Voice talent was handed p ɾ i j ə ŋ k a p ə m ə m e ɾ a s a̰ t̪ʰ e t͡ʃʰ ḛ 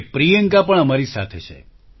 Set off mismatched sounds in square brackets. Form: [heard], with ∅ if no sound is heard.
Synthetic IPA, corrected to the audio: p ɾ i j ə ŋ k a p ə [ɳ] ə m [a] ɾ [i] s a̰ t̪ʰ e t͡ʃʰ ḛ